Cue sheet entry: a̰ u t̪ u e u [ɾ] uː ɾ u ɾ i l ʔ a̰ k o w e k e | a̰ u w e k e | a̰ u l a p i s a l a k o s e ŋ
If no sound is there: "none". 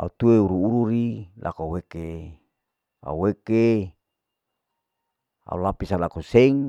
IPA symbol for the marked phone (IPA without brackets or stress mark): ɾ